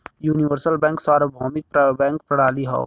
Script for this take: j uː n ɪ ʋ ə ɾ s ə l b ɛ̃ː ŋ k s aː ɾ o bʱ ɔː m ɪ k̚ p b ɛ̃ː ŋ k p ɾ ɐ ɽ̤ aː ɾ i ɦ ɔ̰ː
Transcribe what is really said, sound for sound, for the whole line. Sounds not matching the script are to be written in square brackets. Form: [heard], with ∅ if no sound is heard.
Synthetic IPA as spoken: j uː n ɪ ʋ ə ɾ s ə l b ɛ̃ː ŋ k s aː ɾ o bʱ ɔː m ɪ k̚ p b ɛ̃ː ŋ k p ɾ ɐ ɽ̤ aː [l] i ɦ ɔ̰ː